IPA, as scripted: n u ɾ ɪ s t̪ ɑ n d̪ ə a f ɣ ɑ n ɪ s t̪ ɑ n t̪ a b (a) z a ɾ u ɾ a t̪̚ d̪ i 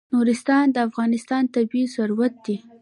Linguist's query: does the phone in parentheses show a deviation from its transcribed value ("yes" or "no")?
yes